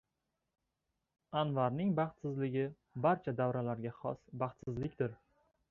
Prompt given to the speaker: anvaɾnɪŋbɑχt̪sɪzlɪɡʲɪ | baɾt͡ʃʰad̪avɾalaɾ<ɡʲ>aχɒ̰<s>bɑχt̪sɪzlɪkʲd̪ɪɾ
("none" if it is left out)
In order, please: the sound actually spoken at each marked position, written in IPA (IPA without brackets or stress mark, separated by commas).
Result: ɡʲ, s